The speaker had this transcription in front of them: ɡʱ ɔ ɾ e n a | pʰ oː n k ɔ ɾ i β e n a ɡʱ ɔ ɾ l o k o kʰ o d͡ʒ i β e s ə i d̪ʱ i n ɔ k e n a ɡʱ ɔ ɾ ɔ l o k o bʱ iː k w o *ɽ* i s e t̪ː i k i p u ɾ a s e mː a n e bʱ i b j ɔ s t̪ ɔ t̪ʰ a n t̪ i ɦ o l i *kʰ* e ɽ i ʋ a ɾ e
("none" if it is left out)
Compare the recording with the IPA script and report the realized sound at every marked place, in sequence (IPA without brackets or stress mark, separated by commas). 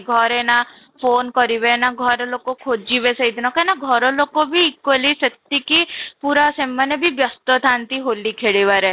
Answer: l, kʰ